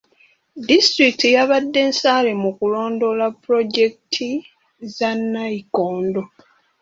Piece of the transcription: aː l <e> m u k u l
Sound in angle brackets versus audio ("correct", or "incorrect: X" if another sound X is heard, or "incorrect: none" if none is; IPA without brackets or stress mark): correct